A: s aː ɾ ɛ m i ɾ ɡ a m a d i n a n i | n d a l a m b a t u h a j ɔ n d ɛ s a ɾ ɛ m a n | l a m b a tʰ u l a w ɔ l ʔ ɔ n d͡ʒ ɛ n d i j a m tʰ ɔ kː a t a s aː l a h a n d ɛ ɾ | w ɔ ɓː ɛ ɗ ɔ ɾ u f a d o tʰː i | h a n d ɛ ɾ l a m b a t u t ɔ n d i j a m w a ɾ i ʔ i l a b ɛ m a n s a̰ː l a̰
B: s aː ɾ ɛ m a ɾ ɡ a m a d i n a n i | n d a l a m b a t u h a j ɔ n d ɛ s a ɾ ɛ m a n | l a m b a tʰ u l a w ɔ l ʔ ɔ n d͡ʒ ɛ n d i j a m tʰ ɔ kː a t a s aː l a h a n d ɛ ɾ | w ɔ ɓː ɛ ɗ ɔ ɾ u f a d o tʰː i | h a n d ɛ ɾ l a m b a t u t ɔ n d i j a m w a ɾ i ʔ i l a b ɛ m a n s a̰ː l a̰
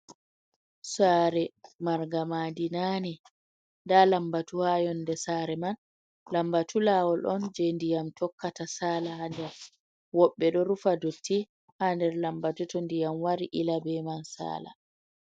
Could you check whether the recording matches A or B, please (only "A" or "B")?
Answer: B